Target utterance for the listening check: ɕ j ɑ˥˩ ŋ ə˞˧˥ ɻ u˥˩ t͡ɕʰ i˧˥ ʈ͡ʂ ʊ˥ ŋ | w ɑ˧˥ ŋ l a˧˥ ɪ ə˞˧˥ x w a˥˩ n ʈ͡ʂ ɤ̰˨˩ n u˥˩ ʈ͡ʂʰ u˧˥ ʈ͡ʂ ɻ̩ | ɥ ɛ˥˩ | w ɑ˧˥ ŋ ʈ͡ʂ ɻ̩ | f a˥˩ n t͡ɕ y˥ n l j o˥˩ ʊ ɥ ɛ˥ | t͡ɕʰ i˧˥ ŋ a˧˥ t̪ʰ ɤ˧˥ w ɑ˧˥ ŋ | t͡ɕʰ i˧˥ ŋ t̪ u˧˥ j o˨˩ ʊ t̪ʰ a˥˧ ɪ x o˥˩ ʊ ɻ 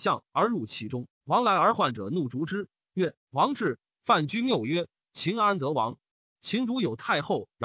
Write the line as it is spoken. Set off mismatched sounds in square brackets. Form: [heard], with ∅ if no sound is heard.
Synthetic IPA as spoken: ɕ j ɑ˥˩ ŋ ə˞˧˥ ɻ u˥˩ t͡ɕʰ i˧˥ ʈ͡ʂ ʊ˥ ŋ | w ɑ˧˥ ŋ l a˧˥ ɪ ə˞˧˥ x w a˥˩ n ʈ͡ʂ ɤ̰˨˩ n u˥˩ [ʈ͡ʂ] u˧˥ ʈ͡ʂ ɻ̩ | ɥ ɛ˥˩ | w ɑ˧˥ ŋ ʈ͡ʂ ɻ̩ | f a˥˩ n t͡ɕ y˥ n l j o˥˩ ʊ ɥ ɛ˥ | t͡ɕʰ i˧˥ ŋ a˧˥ [t̪] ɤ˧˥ w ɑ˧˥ ŋ | t͡ɕʰ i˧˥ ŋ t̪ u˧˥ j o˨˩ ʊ t̪ʰ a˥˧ ɪ x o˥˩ ʊ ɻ